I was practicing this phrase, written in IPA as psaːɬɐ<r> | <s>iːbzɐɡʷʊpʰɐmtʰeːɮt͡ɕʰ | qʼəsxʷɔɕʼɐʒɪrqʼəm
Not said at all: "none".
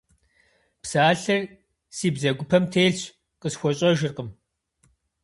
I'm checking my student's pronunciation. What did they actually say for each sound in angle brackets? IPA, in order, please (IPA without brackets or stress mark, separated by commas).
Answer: r, s